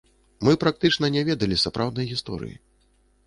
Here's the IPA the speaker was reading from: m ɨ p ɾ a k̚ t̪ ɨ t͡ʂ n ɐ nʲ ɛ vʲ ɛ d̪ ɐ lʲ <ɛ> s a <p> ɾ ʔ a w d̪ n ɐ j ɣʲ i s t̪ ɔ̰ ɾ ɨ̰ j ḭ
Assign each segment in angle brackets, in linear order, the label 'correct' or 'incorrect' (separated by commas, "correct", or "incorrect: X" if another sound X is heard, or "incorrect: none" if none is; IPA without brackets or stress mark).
incorrect: i, correct